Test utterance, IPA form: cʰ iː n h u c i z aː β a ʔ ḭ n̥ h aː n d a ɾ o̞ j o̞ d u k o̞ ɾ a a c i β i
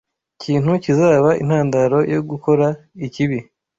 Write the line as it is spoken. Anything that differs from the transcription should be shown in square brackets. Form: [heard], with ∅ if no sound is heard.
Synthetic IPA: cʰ iː n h u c i z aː β a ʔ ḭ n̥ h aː n d a ɾ o̞ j o̞ [ɡ] u k o̞ ɾ a [i] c i β i